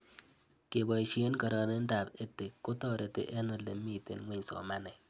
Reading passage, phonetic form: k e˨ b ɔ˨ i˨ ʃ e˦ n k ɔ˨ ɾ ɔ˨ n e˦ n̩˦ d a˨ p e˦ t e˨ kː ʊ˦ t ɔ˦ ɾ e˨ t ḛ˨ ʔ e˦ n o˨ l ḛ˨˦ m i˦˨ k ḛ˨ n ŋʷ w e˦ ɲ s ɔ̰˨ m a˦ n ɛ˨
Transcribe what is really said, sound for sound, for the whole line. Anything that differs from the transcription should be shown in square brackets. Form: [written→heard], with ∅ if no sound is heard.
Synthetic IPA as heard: k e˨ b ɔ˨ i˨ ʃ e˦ n k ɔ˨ ɾ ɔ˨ n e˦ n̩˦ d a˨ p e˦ t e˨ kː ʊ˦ t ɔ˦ ɾ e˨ t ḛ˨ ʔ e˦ n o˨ l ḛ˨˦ m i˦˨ [k→t] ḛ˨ n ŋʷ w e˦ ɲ s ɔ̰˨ m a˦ n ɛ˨